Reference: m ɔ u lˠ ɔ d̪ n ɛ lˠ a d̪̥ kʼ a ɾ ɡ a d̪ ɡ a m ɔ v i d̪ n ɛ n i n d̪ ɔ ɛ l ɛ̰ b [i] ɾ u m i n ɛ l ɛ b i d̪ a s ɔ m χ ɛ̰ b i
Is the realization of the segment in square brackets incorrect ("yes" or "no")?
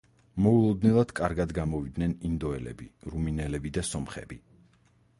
no